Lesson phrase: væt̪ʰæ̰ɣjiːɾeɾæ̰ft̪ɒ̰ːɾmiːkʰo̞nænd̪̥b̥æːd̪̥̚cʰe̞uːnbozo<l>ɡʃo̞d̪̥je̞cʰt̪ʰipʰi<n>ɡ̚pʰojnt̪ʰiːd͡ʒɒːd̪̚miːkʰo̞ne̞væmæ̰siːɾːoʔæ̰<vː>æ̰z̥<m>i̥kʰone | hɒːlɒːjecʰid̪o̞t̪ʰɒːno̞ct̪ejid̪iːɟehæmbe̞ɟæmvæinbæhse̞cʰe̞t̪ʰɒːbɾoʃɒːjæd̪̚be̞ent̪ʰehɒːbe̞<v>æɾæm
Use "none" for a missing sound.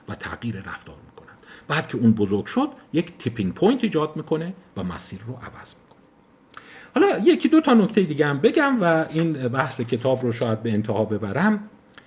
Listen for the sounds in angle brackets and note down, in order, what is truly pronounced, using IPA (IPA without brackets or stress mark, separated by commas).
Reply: ɾ, ŋ, v, m, b